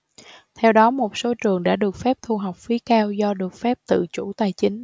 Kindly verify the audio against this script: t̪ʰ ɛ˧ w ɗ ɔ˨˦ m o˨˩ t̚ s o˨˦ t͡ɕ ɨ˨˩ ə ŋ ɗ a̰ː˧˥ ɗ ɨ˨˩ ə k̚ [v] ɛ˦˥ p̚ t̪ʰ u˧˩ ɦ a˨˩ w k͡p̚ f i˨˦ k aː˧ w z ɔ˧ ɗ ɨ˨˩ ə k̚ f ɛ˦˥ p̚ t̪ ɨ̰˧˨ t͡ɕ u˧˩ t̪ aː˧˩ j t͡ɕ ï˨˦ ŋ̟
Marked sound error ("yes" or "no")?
yes